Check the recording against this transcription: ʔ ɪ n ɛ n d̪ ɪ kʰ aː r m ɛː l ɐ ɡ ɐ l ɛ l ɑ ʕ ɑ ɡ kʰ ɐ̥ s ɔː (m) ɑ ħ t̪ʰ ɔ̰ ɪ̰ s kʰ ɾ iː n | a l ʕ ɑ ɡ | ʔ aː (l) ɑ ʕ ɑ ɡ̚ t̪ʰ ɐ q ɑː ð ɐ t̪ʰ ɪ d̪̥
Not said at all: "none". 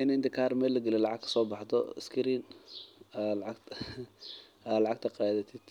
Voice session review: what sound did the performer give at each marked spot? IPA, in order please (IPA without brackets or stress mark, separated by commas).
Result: b, l